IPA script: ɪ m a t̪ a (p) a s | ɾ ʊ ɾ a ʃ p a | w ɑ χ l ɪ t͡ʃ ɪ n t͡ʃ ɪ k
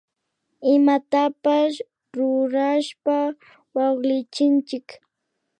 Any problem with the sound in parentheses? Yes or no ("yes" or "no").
no